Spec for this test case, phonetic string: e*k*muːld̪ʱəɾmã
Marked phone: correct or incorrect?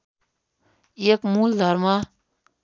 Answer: correct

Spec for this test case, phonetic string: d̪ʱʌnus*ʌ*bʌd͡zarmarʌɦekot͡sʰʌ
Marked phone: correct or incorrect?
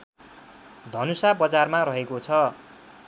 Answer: incorrect: a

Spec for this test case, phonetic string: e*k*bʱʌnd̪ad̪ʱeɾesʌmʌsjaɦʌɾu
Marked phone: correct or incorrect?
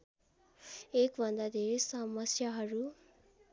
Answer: correct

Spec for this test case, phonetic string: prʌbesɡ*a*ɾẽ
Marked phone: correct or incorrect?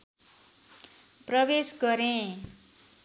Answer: incorrect: ʌ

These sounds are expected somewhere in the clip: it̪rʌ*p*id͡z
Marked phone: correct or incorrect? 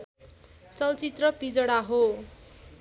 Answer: correct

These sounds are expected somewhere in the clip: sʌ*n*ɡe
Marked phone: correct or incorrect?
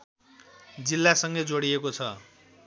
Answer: incorrect: ŋ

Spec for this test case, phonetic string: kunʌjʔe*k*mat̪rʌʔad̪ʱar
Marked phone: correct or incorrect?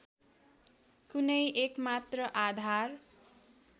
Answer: correct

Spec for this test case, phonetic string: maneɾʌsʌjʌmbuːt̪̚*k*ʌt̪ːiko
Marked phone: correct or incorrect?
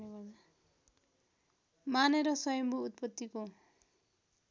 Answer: incorrect: p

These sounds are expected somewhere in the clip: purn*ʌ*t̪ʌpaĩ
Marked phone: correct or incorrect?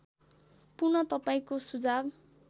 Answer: correct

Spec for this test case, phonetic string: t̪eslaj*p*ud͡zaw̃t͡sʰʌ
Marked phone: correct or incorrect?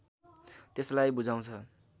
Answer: incorrect: b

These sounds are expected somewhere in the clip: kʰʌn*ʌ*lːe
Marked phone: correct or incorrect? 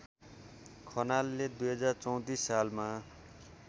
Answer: incorrect: a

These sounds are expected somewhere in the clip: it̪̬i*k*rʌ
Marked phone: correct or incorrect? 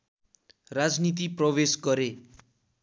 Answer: incorrect: p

